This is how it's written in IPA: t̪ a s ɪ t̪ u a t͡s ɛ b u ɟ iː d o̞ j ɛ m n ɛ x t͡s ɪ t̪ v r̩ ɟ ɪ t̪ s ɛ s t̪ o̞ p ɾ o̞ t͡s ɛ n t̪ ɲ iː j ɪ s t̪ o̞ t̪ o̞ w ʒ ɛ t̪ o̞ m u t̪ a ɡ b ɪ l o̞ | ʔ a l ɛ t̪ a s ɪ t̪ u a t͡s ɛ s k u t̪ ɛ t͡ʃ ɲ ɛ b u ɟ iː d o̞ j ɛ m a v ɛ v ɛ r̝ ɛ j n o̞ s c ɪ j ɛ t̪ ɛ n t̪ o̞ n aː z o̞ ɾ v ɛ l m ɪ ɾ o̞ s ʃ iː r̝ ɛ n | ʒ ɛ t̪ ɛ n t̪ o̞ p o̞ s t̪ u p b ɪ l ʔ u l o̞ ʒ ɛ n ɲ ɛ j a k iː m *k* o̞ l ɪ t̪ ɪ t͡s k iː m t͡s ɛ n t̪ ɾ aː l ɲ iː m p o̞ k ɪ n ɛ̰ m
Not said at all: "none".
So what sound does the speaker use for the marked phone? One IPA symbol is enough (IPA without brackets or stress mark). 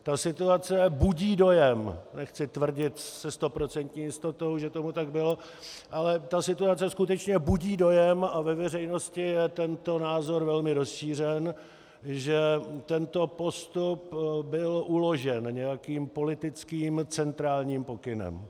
p